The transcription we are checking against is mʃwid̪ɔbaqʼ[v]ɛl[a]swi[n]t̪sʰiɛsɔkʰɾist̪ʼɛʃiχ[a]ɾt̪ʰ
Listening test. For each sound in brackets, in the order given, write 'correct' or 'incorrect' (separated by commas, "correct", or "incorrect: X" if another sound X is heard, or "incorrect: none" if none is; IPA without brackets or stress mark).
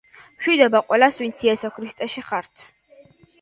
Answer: incorrect: w, correct, correct, correct